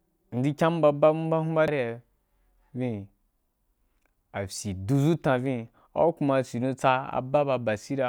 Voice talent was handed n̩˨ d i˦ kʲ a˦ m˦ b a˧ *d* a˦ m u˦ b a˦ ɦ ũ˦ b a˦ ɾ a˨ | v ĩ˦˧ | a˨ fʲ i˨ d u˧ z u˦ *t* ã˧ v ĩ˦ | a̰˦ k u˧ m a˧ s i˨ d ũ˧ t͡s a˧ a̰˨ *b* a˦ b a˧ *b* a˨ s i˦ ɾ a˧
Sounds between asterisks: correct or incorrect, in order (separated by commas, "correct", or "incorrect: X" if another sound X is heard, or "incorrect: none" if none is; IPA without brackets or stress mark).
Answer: incorrect: b, correct, correct, correct